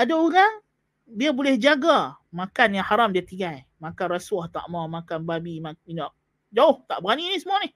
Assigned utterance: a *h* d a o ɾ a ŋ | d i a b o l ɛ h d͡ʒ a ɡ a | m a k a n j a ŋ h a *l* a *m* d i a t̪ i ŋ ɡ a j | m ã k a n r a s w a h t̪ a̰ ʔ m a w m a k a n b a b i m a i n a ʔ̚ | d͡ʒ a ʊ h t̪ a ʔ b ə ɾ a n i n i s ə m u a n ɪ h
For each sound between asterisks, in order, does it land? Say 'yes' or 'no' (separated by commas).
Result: no, no, yes